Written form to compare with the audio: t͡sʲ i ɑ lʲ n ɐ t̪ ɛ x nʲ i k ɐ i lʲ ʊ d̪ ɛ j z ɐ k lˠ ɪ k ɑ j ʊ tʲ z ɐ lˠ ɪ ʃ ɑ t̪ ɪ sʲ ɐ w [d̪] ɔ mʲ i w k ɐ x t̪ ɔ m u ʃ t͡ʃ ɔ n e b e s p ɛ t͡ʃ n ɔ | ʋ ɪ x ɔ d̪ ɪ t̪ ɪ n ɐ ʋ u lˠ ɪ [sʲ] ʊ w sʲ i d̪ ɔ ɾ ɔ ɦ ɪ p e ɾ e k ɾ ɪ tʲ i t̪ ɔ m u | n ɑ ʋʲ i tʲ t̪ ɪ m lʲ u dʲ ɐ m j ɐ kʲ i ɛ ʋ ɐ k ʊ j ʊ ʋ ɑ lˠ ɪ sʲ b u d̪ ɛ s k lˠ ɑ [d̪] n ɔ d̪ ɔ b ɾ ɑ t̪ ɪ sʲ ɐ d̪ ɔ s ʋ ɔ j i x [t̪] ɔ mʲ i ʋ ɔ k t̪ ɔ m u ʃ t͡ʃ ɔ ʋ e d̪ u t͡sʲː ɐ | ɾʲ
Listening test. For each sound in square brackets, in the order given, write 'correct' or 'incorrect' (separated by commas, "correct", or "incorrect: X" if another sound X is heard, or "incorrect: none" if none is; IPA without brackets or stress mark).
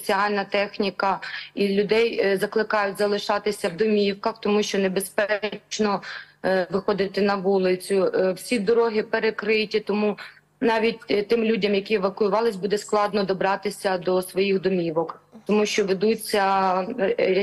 correct, incorrect: t͡sʲ, correct, incorrect: d̪